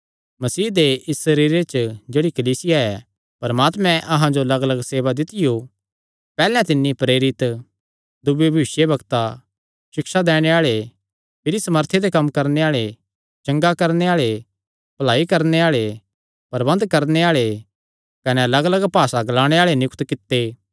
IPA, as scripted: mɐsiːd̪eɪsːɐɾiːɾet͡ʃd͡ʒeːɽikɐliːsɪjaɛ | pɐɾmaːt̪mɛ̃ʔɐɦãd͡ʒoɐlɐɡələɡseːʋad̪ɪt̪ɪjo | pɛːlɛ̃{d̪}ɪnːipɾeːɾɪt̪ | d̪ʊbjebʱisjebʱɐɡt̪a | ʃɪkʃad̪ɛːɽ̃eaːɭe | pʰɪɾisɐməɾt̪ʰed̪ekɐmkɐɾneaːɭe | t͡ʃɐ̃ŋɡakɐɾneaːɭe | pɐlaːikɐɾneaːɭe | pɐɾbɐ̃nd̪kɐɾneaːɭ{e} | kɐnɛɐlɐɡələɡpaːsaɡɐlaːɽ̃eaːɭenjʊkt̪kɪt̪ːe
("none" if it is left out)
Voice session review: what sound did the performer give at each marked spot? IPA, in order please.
t̪, e

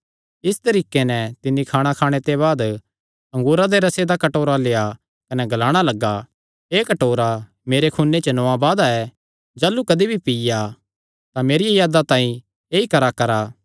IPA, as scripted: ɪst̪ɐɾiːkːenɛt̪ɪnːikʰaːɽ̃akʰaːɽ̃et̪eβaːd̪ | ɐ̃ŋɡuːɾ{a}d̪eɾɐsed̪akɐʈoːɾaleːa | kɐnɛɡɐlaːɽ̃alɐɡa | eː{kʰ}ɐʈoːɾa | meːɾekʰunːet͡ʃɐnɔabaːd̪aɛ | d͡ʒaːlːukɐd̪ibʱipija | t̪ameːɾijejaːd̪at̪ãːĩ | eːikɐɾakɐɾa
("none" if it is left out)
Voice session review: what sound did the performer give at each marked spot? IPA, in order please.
a, k

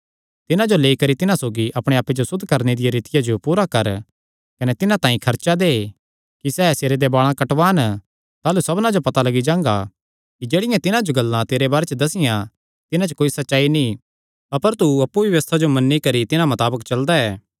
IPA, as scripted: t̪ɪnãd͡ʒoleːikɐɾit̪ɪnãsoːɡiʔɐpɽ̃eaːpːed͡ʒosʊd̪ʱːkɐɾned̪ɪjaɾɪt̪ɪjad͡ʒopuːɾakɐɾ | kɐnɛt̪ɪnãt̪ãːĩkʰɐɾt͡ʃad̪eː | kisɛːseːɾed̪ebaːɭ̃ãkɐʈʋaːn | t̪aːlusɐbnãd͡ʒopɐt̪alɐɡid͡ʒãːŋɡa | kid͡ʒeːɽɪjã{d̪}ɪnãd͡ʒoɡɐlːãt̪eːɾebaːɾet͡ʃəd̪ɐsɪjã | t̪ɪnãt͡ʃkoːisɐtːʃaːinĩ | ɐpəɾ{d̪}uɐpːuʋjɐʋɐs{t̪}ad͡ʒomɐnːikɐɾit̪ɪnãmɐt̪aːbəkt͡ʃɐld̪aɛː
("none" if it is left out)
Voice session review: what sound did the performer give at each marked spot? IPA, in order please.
t̪, t̪, t̪ʰ

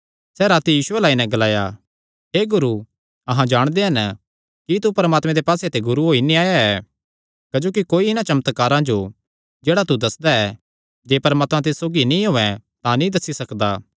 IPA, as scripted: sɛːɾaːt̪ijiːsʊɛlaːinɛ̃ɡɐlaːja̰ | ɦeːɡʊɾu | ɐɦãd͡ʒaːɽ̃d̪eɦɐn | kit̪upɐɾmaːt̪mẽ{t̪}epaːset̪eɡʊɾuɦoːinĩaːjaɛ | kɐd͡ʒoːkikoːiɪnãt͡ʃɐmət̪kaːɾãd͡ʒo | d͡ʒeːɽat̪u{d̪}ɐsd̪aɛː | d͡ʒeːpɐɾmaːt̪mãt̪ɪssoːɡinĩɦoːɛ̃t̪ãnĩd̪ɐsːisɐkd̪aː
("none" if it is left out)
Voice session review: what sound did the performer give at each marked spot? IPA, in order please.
d̪, d̪

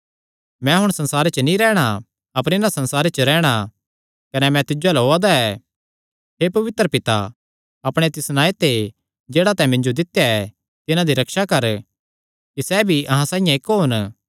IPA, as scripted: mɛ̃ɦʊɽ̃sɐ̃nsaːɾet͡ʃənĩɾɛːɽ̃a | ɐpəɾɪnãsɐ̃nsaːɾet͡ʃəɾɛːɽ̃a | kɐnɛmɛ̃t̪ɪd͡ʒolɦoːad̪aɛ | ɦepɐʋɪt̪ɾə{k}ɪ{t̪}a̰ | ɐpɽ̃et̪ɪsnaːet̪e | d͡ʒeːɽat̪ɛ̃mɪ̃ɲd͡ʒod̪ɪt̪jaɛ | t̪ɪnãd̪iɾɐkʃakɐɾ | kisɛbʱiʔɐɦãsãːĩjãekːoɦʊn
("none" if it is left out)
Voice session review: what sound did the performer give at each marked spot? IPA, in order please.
p, t̪

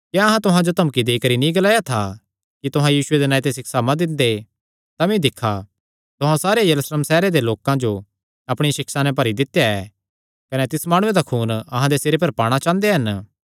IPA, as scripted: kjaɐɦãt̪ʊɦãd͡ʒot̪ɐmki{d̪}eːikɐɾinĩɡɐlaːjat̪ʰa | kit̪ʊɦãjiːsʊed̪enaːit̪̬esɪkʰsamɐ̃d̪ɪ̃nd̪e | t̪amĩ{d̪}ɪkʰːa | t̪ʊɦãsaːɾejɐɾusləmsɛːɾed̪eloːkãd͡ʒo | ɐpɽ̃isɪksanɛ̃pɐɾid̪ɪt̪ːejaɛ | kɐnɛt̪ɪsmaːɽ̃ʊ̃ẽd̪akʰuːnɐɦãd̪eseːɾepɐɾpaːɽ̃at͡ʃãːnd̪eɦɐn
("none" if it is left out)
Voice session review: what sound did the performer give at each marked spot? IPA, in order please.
d̪, d̪

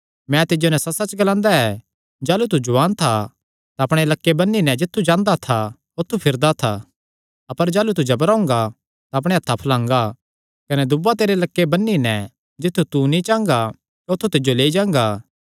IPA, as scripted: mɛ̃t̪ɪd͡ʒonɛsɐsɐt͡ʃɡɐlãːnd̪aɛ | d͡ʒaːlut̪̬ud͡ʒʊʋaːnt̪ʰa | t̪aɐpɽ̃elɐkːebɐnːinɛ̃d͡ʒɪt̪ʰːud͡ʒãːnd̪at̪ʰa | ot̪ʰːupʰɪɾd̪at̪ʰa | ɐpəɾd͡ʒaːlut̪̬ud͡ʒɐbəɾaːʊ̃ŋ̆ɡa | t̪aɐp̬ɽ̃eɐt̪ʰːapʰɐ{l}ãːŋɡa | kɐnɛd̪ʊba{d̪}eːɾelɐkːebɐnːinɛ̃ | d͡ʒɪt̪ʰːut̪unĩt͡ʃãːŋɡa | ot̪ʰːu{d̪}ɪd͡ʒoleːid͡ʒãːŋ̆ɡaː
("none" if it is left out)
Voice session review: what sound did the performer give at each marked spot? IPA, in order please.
l, t̪, t̪

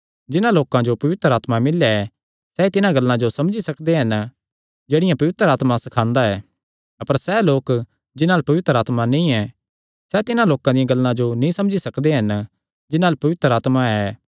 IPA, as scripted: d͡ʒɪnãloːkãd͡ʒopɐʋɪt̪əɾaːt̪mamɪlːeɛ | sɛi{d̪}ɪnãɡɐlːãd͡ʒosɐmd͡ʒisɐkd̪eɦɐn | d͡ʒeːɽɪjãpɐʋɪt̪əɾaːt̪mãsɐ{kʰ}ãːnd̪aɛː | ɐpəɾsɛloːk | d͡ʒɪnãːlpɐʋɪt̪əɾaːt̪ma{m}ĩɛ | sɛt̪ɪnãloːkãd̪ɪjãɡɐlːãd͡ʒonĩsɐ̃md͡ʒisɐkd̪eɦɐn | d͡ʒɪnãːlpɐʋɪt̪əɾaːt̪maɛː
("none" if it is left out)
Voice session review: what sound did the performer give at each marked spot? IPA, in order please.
t̪, kʰ, n

